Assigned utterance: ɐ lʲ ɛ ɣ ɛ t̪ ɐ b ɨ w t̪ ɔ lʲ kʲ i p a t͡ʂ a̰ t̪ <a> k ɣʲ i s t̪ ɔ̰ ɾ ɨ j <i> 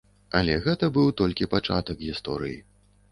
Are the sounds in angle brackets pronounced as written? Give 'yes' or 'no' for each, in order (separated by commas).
no, yes